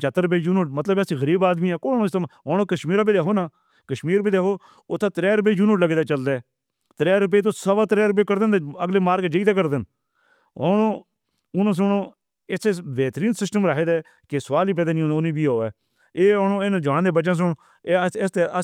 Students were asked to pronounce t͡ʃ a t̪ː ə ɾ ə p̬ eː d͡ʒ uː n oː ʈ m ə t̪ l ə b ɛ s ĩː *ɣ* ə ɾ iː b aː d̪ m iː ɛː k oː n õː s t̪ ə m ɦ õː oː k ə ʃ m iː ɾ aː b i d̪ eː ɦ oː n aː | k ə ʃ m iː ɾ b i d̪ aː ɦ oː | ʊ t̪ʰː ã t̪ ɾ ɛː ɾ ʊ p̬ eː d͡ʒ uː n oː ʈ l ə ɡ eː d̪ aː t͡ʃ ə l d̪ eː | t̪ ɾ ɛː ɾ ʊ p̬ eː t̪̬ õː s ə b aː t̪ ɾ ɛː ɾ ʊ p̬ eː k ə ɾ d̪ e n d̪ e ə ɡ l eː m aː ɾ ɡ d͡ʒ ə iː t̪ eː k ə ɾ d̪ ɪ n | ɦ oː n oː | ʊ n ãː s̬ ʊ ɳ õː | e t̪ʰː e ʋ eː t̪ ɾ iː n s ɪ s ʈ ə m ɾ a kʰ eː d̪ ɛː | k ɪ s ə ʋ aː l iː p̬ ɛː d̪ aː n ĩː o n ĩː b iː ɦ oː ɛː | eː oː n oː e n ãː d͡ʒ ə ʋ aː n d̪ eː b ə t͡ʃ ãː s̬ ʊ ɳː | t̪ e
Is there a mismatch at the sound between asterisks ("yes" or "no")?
no